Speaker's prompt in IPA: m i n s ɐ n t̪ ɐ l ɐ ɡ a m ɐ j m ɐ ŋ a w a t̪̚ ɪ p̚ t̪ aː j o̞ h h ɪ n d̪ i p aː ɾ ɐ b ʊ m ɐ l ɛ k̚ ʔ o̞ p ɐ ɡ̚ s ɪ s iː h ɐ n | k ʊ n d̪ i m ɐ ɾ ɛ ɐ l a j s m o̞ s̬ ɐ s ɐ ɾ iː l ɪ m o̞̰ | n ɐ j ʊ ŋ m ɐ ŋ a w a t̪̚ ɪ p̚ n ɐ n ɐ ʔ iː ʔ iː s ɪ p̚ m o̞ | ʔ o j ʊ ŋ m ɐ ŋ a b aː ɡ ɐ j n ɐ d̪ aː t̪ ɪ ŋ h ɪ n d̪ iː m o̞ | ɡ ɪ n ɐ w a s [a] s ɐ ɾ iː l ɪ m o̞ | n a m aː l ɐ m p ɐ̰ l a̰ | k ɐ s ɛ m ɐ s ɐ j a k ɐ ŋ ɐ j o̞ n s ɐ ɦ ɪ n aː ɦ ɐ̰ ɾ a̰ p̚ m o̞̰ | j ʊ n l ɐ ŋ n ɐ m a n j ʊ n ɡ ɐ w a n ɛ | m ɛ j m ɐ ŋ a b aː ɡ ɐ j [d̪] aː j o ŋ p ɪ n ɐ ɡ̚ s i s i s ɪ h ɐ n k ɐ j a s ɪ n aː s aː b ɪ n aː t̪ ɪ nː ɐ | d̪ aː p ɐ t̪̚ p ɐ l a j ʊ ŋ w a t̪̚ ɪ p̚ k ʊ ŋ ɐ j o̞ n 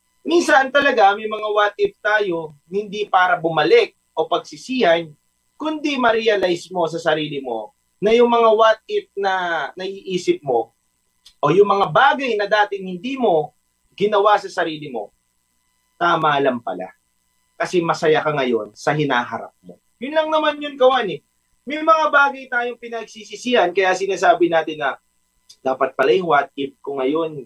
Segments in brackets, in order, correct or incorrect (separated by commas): incorrect, incorrect